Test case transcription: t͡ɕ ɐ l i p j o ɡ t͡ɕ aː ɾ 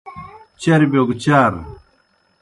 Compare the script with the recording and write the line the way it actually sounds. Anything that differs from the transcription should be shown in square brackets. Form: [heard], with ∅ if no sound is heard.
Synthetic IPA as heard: t͡ɕ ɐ [ɾ] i [b] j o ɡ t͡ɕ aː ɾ